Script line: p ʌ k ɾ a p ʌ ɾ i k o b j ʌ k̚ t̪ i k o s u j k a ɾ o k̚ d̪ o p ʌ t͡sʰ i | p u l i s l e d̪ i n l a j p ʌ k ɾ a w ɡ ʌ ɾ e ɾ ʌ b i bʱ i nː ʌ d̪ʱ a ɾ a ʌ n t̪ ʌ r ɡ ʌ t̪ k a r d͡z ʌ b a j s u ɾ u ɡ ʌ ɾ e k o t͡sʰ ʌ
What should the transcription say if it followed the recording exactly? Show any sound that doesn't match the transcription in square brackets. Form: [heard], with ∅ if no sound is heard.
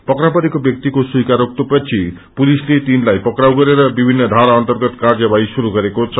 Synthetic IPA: p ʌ k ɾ a p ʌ ɾ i k o b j ʌ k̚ t̪ i k o s u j k a ɾ o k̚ [t̪] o p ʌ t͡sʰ i | p u l i s l e [t̪] i n l a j p ʌ k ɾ a w ɡ ʌ ɾ e ɾ ʌ b i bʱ i nː ʌ d̪ʱ a ɾ a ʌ n t̪ ʌ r ɡ ʌ t̪ k a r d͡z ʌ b a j s u ɾ u ɡ ʌ ɾ e k o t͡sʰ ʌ